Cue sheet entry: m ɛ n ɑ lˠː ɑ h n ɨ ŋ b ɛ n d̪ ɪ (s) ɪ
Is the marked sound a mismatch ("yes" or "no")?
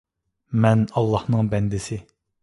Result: no